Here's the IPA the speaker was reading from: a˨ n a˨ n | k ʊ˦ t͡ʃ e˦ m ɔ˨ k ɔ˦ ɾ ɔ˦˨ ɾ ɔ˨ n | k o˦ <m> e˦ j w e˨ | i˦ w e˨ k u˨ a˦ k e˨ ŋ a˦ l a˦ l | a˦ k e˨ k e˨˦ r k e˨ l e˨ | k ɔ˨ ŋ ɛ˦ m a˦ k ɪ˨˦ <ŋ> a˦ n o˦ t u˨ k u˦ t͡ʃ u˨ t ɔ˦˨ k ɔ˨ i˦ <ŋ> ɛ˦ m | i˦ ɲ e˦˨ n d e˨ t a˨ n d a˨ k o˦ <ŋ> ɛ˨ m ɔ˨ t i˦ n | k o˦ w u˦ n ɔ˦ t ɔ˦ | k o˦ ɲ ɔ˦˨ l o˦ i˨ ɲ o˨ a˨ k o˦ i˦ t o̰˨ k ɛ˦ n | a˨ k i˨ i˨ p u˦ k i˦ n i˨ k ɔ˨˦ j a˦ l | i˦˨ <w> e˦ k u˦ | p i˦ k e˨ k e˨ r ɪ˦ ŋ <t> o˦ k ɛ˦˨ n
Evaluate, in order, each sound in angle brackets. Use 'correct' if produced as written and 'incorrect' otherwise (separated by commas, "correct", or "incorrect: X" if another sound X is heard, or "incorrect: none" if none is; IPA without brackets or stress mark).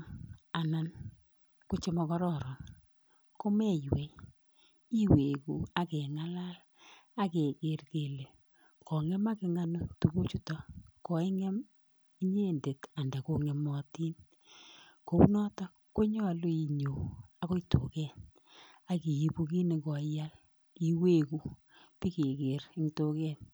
correct, correct, correct, correct, correct, correct